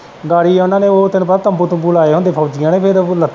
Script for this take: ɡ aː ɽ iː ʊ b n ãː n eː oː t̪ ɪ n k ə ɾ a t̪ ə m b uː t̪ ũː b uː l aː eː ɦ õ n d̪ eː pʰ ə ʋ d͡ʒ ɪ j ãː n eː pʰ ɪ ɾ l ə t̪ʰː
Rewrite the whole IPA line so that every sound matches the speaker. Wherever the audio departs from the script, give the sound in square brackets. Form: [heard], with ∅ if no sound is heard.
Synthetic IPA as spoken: ɡ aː ɽ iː ʊ [∅] n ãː n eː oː t̪ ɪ n [p] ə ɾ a t̪ ə m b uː t̪ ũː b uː l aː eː ɦ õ n d̪ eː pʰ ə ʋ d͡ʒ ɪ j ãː n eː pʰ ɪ ɾ l ə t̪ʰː